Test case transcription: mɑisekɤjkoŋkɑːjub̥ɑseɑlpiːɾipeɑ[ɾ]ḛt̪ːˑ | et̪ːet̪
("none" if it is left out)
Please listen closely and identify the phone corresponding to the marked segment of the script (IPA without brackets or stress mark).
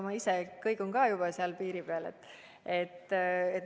l